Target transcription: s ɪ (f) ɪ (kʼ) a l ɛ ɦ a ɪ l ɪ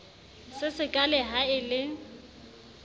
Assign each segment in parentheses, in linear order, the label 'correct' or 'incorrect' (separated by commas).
incorrect, correct